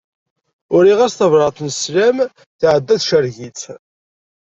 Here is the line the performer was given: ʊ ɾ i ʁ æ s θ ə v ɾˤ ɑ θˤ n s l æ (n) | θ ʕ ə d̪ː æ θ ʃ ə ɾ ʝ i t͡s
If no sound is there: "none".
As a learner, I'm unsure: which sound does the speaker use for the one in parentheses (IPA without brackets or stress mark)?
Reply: m